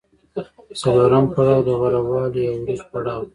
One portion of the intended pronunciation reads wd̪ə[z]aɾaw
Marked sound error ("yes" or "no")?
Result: yes